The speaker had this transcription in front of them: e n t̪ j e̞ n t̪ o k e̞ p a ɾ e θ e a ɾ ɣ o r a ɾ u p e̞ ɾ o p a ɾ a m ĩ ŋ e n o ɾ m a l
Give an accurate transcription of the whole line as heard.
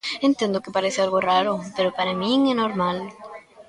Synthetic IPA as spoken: e n t̪ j e̞ n d̪ o k e̞ p a ɾ e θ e a l ɣ o r a ɾ o p e̞ ɾ o p a ɾ a m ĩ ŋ e n o ɾ m a l